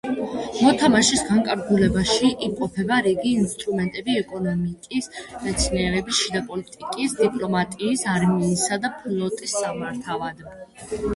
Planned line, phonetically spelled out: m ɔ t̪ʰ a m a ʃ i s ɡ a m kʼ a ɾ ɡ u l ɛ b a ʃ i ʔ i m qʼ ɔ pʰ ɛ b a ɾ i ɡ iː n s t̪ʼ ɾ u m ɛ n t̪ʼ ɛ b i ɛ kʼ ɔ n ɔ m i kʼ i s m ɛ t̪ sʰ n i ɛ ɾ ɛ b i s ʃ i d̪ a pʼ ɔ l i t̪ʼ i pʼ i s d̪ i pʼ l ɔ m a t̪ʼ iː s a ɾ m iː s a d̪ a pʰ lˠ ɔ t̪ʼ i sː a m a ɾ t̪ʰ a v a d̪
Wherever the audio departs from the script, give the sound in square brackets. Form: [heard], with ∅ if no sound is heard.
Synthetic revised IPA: m ɔ t̪ʰ a m a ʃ i s ɡ a [ŋ] kʼ a ɾ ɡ u l ɛ b a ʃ i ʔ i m qʼ ɔ pʰ ɛ b a ɾ i ɡ iː n s t̪ʼ ɾ u m ɛ n t̪ʼ ɛ b i ɛ kʼ ɔ n ɔ m i kʼ i s m ɛ t̪ sʰ n i ɛ ɾ ɛ b i s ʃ i d̪ a pʼ ɔ l i t̪ʼ i [kʼ] i s d̪ i pʼ l ɔ m a t̪ʼ iː s a ɾ m iː s a d̪ a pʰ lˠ ɔ t̪ʼ i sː a m a ɾ t̪ʰ a v a d̪